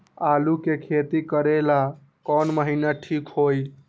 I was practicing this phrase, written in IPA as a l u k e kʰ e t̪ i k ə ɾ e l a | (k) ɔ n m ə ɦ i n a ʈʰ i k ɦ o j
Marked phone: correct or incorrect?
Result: correct